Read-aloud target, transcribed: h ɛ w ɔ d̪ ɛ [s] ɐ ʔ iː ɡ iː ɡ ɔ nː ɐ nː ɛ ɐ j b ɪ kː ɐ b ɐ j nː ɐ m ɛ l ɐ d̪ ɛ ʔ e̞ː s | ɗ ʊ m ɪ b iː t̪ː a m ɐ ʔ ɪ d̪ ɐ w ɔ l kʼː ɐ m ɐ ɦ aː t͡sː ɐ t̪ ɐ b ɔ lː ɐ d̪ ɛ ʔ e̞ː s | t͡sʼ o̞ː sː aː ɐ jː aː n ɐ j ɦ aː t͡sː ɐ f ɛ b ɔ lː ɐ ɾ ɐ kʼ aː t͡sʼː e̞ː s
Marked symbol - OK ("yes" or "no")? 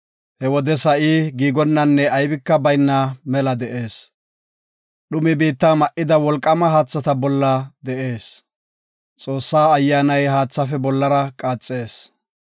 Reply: yes